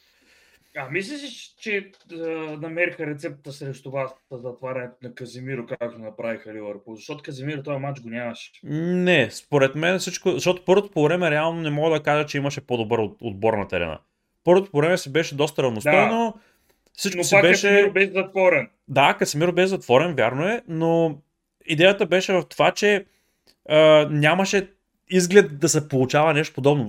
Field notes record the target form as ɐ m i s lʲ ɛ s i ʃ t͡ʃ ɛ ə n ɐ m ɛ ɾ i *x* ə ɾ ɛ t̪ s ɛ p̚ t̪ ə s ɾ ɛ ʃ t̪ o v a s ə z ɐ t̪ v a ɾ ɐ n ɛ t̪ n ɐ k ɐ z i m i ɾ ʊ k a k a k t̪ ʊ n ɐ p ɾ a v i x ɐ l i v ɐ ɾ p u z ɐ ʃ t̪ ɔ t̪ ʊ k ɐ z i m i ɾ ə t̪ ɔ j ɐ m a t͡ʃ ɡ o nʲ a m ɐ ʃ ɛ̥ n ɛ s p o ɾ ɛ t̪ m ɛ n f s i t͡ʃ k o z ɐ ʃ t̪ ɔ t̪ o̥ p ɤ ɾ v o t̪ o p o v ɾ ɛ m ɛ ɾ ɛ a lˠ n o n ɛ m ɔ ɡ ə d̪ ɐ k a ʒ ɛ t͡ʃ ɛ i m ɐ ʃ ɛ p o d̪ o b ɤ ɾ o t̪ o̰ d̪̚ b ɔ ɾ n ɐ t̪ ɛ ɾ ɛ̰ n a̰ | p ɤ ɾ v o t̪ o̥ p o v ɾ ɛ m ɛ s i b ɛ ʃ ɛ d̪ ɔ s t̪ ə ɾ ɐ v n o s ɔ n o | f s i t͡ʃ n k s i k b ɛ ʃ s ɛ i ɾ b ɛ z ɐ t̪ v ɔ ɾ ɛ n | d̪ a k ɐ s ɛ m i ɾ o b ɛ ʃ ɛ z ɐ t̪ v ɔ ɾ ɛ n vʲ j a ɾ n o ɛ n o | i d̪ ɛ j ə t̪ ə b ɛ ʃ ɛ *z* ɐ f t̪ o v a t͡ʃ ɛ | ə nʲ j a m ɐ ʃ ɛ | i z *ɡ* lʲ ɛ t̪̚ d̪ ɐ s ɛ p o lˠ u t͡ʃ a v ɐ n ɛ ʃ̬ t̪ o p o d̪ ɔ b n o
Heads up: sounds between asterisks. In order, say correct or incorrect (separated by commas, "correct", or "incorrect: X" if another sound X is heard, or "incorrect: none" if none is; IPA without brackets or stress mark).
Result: correct, incorrect: v, correct